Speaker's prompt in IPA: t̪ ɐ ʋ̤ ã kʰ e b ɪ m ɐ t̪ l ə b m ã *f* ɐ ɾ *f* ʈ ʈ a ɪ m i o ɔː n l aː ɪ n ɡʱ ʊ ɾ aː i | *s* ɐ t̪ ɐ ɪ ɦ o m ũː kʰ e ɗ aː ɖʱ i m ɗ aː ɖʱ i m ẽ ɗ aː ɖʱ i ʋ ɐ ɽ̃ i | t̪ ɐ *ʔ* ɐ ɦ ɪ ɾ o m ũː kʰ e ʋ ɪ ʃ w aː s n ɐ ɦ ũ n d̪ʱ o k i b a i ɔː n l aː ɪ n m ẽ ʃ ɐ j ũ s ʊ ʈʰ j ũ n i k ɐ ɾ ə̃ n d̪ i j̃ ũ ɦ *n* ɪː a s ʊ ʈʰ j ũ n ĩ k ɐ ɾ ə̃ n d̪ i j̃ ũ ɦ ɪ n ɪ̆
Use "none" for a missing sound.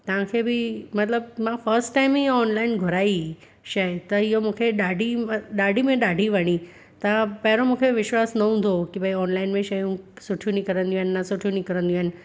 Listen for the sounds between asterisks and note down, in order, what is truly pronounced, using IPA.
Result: f, s, ʃ, p, n

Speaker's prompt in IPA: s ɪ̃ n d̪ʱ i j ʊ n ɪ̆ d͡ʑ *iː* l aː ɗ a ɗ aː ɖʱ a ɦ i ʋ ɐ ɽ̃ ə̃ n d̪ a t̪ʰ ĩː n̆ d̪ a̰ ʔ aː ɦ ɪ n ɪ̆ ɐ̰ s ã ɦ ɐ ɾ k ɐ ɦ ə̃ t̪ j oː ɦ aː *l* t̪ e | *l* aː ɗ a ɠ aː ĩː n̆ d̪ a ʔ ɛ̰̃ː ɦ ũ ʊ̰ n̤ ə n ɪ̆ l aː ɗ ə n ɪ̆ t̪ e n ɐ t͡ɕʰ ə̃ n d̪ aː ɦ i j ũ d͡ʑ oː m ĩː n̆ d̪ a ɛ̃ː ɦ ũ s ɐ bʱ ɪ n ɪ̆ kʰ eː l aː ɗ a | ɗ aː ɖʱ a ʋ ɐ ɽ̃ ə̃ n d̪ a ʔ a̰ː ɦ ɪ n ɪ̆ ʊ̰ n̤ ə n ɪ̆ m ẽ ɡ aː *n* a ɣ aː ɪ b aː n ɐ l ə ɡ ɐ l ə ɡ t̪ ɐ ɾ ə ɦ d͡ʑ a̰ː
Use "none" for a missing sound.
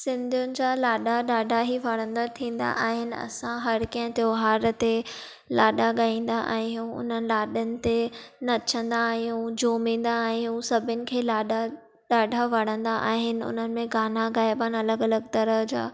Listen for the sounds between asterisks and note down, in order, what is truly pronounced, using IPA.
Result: aː, ɾ, l, n

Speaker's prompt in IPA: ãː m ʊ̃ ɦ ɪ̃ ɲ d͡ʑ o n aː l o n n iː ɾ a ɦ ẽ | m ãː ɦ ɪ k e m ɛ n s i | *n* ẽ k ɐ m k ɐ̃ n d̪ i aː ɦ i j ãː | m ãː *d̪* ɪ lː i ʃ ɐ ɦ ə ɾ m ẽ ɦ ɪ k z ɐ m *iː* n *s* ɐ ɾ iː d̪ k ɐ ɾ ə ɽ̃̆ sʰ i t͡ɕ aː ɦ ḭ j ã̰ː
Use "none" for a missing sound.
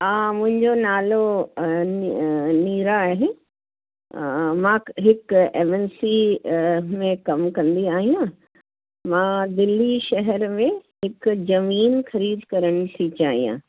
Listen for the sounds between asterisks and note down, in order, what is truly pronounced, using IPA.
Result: m, d̪, iː, x

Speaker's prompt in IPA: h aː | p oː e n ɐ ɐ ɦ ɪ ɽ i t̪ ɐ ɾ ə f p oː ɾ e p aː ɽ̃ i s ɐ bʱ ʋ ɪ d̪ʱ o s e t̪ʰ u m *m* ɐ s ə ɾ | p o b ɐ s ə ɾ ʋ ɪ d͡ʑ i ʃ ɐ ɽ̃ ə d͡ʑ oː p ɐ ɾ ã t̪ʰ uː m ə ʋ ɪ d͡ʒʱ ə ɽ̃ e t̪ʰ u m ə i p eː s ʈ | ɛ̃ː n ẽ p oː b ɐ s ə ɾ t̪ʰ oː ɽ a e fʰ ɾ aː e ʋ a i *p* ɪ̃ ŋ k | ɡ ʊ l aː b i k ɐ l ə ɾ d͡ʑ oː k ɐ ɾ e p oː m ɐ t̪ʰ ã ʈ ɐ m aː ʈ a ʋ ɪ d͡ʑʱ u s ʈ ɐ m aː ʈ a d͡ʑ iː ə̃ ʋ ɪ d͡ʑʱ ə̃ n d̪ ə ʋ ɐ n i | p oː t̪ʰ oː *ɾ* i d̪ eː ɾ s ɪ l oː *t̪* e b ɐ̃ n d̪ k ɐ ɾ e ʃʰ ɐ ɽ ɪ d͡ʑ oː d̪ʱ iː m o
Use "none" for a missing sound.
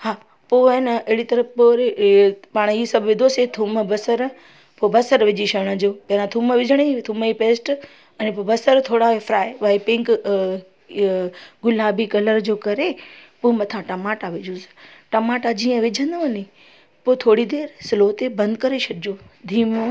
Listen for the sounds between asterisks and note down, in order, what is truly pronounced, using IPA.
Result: b, p, ɽ, t̪

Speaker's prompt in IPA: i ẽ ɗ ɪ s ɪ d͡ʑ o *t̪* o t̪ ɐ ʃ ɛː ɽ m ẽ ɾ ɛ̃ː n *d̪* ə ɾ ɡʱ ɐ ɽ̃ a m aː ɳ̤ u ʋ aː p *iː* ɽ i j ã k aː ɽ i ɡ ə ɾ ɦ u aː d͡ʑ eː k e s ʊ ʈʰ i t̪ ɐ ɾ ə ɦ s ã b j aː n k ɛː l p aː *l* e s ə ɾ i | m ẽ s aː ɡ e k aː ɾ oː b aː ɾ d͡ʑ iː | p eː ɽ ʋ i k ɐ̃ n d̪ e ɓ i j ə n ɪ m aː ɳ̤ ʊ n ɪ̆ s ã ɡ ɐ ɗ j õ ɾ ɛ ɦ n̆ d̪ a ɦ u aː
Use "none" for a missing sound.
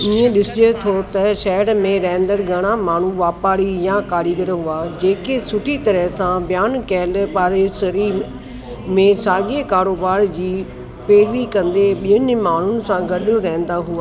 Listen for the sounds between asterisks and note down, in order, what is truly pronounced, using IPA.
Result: t̪ʰ, d̪, aː, ɾ

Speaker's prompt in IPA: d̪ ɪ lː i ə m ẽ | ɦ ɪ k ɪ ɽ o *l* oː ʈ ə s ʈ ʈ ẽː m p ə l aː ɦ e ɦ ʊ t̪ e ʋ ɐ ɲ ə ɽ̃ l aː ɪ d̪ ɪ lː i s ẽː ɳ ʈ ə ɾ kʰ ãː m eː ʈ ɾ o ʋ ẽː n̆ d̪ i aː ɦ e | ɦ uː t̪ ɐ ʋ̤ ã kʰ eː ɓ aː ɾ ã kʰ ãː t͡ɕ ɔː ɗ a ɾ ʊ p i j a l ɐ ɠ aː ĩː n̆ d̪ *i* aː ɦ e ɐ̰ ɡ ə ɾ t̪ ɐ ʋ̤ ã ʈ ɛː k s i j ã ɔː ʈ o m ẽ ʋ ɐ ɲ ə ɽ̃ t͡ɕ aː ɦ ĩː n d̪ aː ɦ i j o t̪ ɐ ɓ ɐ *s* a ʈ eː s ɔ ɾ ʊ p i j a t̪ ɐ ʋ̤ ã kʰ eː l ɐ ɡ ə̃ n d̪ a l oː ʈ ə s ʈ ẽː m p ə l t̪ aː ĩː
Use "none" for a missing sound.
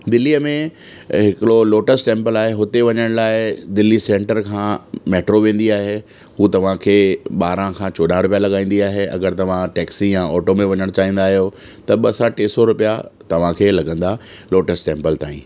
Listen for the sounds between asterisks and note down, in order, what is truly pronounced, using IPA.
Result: l, i, s

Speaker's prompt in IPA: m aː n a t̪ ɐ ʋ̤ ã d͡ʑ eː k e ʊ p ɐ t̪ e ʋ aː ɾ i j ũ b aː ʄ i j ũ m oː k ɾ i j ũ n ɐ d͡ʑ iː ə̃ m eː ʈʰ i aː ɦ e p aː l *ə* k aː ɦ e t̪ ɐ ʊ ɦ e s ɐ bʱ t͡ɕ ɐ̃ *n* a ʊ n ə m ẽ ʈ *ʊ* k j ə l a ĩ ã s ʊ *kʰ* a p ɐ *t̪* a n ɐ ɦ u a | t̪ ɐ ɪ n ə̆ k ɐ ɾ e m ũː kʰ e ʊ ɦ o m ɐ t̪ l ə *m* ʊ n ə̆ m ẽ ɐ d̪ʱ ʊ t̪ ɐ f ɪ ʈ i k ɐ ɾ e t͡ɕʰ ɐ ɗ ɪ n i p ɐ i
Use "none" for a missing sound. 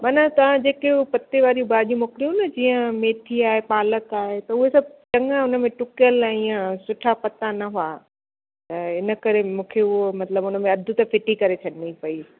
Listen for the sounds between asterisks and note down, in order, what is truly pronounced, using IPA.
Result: ə, ŋ, ʊ, ʈʰ, t̪, b

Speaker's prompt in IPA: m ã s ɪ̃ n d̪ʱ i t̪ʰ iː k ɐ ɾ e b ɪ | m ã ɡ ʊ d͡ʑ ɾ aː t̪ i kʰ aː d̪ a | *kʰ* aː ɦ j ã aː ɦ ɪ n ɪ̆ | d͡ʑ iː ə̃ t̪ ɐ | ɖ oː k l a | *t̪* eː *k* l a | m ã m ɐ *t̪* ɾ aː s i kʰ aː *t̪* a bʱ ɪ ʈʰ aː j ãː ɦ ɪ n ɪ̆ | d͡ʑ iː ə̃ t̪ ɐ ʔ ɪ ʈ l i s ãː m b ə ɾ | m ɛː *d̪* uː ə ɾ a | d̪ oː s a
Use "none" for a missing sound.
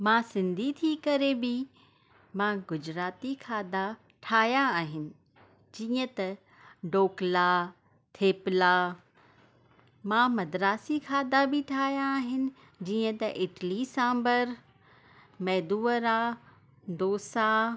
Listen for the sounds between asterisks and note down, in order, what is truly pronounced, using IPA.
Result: ʈʰ, t̪ʰ, p, d̪, d̪, d̪

